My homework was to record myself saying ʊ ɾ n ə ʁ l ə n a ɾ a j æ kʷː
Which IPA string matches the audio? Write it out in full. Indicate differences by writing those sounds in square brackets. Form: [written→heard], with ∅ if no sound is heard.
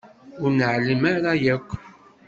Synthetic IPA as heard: ʊ ɾ n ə [ʁ→ʕ] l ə [n→m] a ɾ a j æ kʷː